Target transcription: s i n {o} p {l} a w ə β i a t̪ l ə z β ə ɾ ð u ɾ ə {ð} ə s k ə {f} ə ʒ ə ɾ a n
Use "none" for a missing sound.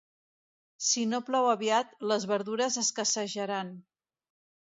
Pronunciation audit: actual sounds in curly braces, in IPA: o, l, z, s

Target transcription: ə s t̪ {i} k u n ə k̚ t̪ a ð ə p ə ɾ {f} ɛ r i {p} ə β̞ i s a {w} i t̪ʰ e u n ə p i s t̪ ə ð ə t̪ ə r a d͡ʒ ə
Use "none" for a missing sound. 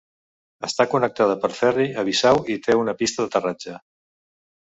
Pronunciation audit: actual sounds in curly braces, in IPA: a, f, none, w

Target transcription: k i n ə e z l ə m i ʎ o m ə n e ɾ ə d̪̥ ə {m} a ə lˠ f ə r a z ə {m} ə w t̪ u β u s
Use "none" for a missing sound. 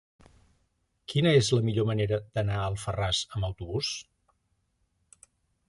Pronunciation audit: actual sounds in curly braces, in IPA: n, m

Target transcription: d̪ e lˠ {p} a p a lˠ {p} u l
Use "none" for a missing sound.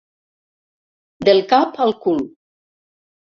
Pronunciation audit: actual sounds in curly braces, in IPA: k, k

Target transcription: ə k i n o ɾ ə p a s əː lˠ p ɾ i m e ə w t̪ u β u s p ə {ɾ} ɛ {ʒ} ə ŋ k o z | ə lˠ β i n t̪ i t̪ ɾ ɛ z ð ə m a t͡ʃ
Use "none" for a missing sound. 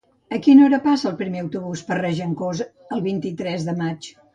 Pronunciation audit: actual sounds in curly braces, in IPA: r, ʒ

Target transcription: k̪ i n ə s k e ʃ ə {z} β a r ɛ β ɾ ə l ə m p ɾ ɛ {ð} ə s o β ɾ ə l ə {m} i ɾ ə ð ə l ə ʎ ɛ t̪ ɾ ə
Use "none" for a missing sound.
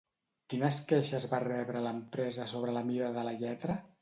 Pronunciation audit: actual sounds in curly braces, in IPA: z, z, m

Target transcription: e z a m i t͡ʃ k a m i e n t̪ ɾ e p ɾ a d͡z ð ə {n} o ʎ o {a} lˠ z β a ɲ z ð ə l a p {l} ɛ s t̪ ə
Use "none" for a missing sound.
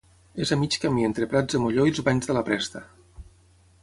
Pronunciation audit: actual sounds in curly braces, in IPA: m, i, ɾ

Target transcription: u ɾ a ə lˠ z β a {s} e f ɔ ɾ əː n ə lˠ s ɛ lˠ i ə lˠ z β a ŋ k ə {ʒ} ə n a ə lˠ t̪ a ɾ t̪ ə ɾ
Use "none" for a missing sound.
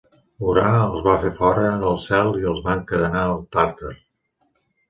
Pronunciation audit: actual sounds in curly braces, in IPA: f, ð

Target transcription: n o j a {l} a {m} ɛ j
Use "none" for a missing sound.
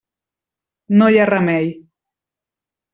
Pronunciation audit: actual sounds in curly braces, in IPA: r, m

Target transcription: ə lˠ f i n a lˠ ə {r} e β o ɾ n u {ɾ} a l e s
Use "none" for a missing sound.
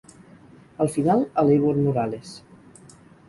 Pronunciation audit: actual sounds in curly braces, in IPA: l, ɾ

